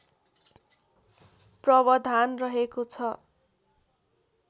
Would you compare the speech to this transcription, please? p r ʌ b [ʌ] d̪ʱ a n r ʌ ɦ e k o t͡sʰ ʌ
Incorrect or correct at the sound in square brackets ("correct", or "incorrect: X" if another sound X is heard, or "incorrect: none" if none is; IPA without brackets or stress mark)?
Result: correct